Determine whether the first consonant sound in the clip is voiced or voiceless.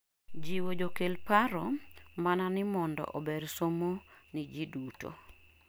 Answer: voiced